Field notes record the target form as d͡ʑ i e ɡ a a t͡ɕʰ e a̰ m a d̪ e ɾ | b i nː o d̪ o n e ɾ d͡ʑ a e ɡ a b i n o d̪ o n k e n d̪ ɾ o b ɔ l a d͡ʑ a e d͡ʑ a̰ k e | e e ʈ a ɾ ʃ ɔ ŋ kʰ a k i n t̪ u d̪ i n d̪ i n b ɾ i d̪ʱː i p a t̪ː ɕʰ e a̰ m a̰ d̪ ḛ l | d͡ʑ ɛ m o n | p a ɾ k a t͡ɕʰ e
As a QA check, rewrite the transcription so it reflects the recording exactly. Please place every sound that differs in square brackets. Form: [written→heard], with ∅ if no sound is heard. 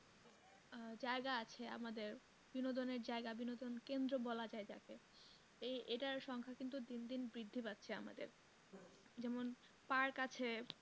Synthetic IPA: d͡ʑ [i→a] e ɡ a a t͡ɕʰ e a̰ m a d̪ e ɾ | b i [nː→n] o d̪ o n e ɾ d͡ʑ a e ɡ a b i n o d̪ o n k e n d̪ ɾ o b ɔ l a d͡ʑ a e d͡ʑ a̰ k e | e e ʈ a ɾ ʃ ɔ ŋ kʰ a k i n t̪ u d̪ i n d̪ i n b ɾ i d̪ʱː i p a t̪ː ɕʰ e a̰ m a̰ d̪ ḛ [l→ɾ] | d͡ʑ ɛ m o n | p a ɾ k a t͡ɕʰ e

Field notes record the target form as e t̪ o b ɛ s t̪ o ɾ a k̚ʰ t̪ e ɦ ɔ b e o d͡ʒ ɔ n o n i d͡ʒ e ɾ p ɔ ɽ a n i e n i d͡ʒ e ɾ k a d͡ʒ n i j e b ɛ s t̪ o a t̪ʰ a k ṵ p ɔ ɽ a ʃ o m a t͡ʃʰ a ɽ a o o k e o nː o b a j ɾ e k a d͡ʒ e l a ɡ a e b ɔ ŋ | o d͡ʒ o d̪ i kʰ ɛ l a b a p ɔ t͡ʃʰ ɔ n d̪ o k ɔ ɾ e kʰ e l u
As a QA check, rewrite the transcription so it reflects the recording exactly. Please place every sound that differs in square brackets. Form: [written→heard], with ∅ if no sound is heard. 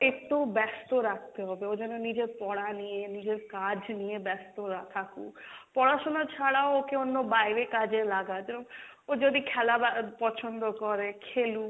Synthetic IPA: e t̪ o b ɛ s t̪ o ɾ a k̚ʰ t̪ e ɦ ɔ b e o d͡ʒ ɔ n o n i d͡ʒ e ɾ p ɔ ɽ a n i e n i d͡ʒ e ɾ k a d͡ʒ n i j e b ɛ s t̪ o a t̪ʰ a k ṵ p ɔ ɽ a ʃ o [m→n] a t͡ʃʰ a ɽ a o o k e o nː o b a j ɾ e k a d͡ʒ e l a ɡ a e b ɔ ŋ | o d͡ʒ o d̪ i kʰ ɛ l a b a p ɔ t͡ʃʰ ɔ n d̪ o k ɔ ɾ e kʰ e l u

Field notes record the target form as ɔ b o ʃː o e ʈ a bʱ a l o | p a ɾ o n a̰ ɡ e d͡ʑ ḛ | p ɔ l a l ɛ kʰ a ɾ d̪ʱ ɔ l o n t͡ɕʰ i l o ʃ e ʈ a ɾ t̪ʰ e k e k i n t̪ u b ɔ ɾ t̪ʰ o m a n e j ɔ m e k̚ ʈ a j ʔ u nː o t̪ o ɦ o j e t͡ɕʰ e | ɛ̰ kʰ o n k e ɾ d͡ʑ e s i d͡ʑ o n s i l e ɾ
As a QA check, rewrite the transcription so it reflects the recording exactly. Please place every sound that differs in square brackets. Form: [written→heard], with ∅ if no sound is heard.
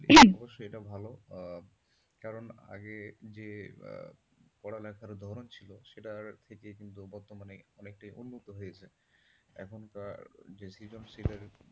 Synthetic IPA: ɔ b o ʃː o e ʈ a bʱ a l o | [p→k] a ɾ o n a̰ ɡ e d͡ʑ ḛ | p ɔ [l→ɽ] a l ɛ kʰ a ɾ d̪ʱ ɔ [l→ɾ] o n t͡ɕʰ i l o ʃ e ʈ a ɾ t̪ʰ e k e k i n t̪ u b ɔ ɾ [t̪ʰ→t̪] o m a n e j ɔ [m→n] e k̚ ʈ a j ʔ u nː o t̪ o ɦ o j e t͡ɕʰ e | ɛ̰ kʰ o n k [e→a] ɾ d͡ʑ e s i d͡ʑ o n s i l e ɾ

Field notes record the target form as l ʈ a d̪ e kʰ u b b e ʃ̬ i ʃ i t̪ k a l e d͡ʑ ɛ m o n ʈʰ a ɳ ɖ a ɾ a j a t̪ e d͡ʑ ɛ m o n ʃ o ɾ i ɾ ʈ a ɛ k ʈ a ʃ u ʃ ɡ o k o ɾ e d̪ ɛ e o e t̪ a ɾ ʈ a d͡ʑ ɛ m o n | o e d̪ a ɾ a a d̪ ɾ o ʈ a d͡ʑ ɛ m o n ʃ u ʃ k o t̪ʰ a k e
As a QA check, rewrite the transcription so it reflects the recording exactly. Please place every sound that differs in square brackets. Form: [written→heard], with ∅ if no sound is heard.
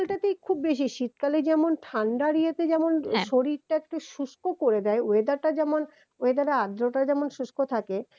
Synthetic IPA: l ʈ a [d̪→t̪] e kʰ u b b e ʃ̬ i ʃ i t̪ k a l e d͡ʑ ɛ m o n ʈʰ a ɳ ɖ a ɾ [a→i] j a t̪ e d͡ʑ ɛ m o n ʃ o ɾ i ɾ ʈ a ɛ k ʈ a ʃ u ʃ [ɡ→k] o k o ɾ e d̪ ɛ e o e [t̪→d̪] a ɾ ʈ a d͡ʑ ɛ m o n | o e d̪ a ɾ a a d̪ ɾ o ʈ a d͡ʑ ɛ m o n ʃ u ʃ k o t̪ʰ a k e

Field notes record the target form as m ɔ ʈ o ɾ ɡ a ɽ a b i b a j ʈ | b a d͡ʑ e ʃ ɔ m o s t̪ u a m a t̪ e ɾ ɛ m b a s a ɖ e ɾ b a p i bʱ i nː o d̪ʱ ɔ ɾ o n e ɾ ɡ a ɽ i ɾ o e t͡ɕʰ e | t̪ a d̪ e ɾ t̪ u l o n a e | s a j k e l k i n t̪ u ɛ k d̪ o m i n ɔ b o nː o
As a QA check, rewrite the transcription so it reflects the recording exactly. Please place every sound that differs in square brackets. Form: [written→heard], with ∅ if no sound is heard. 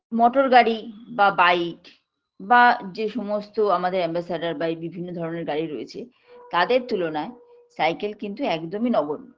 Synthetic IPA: m ɔ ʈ o ɾ ɡ a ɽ [a→i] b [i→a] b a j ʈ | b a d͡ʑ e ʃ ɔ m o s t̪ [u→o] a m a [t̪→d̪] e ɾ ɛ m b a s a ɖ [e→a] ɾ b a [p→b] i bʱ i nː o d̪ʱ ɔ ɾ o n e ɾ ɡ a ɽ i ɾ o e t͡ɕʰ e | t̪ a d̪ e ɾ t̪ u l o n a e | s a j k e l k i n t̪ u ɛ k d̪ o m i n ɔ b o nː o

